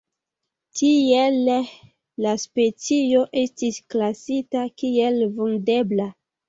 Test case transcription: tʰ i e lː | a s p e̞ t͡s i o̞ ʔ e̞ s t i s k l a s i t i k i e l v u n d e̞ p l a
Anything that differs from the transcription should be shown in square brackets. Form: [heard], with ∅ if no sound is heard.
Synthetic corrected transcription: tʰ i e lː | a s p e̞ t͡s i o̞ ʔ e̞ s t i s k l a s i t [a] k i e l v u n d e̞ [b] l a